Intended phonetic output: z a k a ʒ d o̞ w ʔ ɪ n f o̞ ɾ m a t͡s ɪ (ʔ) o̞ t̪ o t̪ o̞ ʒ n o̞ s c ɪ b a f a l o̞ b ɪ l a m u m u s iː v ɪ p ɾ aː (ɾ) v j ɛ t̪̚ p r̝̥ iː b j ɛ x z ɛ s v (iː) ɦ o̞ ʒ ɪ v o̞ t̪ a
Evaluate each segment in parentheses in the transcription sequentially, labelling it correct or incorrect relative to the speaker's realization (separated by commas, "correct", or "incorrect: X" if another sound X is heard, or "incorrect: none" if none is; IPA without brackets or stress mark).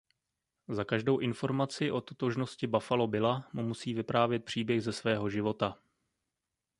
correct, incorrect: none, incorrect: ɛː